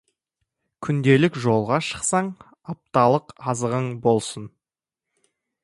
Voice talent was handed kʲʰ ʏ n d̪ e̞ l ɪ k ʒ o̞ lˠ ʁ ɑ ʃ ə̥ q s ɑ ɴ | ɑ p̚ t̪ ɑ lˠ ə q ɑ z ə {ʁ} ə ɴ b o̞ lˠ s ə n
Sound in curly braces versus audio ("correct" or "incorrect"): correct